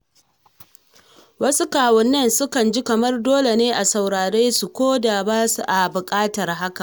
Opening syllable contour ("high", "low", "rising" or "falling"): high